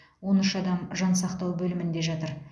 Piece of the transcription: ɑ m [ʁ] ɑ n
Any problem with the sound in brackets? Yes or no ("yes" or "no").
yes